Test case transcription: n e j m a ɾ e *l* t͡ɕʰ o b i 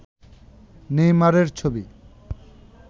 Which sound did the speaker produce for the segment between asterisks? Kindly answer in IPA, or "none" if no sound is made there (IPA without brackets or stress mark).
ɾ